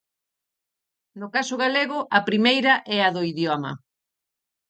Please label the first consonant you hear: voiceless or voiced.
voiced